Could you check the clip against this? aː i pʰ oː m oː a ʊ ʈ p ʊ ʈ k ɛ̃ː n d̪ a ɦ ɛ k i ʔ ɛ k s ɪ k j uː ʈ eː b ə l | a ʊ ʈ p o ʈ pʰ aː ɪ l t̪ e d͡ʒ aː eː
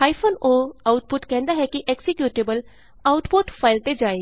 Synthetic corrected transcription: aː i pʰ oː n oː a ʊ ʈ p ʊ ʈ k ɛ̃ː n d̪ a ɦ ɛ k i ʔ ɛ k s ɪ k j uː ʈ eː b ə l | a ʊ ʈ p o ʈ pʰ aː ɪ l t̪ e d͡ʒ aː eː

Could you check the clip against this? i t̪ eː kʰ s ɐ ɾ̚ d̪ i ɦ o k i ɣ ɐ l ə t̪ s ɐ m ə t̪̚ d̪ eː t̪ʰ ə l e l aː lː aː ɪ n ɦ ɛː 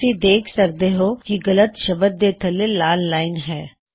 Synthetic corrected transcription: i d̪ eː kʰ s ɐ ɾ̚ d̪ e ɦ o k i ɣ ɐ l ə t̪ ʃ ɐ b ə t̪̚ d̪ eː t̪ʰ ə l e l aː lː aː ɪ n ɦ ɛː

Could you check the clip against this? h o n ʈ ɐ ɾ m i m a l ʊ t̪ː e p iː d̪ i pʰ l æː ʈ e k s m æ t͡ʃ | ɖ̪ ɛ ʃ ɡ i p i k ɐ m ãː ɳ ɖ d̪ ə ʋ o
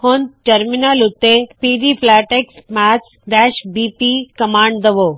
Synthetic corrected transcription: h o n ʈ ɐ ɾ m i n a l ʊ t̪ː e p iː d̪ i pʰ l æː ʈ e k s m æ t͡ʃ | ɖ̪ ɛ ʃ b i p i k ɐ m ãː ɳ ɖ d̪ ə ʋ o

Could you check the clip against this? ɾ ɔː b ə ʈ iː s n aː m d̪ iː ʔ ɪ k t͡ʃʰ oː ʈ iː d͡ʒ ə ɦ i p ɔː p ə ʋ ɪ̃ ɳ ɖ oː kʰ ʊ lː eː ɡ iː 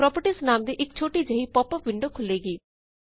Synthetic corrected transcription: ɾ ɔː p ə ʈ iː s n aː m d̪ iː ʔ ɪ k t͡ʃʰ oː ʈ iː d͡ʒ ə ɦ i p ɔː p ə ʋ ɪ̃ ɳ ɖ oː kʰ ʊ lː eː ɡ iː

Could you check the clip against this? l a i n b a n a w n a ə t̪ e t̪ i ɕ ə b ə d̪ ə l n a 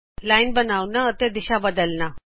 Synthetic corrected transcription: l a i n b ə n a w n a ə t̪ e d̪ i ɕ a b ə d̪ ə l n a

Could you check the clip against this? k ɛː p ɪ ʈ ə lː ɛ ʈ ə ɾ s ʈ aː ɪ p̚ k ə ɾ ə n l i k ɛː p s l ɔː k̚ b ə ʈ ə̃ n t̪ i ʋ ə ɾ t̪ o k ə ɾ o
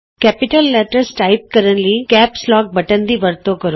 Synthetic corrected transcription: k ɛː p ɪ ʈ ə lː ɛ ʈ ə ɾ s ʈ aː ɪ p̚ k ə ɾ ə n l i k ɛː p s l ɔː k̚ b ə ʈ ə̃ n d̪ i ʋ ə ɾ t̪ o k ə ɾ o

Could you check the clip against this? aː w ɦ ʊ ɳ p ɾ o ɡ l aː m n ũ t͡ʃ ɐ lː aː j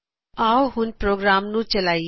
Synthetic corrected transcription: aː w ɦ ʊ n p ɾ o ɡ ɾ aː m n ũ t͡ʃ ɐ l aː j

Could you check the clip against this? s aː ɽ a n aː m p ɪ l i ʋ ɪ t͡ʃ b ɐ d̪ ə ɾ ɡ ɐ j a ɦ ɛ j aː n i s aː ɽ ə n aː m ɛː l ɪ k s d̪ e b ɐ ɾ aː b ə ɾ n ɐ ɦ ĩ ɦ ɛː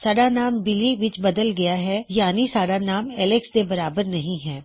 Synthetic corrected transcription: s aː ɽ a n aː m b ɪ l i ʋ ɪ t͡ʃ b ɐ d̪ ə l ɡ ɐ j a ɦ ɛ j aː n i s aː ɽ a n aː m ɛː l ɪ k s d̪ e b ɐ ɾ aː b ə ɾ n ɐ ɦ ĩ ɦ ɛː

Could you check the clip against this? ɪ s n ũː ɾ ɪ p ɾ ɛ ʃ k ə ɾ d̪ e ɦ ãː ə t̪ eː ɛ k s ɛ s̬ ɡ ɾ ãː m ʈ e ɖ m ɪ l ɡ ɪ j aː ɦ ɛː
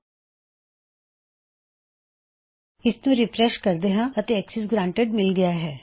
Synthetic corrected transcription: ɪ s n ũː ɾ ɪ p ɾ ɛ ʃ k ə ɾ d̪ e ɦ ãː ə t̪ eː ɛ k s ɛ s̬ ɡ ɾ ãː ɳ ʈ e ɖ m ɪ l ɡ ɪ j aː ɦ ɛː

